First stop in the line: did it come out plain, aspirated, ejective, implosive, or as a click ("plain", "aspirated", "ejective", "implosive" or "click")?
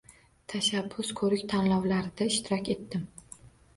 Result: aspirated